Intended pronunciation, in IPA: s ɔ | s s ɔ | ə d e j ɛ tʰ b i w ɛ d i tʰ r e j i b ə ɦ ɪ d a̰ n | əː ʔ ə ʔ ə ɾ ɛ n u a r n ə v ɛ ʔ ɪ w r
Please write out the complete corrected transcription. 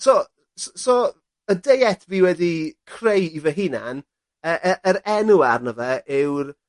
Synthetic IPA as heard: s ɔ | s s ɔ | ə d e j ɛ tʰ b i w ɛ d i kʰ r e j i v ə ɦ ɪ n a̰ n | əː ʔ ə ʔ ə ɾ ɛ n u a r n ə v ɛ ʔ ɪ w r